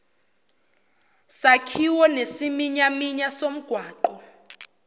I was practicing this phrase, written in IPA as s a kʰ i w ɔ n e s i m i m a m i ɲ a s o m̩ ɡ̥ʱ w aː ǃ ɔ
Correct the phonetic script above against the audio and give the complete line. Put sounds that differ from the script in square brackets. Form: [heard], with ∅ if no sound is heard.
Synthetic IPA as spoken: s a kʰ i w ɔ n e s i m i [ɲ] a m i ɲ a s o m̩ ɡ̥ʱ w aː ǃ ɔ